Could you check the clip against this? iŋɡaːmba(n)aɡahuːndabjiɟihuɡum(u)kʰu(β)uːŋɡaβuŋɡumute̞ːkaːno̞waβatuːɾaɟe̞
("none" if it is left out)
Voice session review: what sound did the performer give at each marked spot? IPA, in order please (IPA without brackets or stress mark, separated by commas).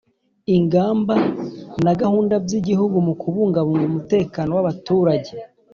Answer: n, u, β